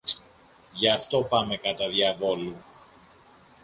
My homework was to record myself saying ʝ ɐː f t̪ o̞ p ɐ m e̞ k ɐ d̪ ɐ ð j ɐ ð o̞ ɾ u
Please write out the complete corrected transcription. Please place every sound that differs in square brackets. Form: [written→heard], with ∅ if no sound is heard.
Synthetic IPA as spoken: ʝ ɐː f t̪ o̞ p ɐ m e̞ k ɐ [d̪→t̪] ɐ ð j ɐ [ð→v] o̞ [ɾ→l] u